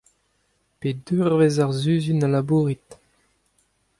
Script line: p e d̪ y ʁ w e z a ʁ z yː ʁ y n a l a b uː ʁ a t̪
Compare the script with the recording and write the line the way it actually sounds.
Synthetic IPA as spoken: p e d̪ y ʁ v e z a ʁ z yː z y n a l a b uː ʁ i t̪